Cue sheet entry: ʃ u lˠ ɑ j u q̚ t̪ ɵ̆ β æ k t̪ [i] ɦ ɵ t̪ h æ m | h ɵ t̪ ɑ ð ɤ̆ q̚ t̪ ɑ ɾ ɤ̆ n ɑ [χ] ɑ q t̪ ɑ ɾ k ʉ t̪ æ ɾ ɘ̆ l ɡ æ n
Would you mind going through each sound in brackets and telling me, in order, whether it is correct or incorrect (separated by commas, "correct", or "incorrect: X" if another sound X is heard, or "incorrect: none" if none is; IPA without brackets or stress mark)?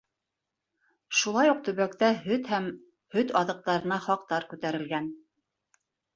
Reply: incorrect: æ, correct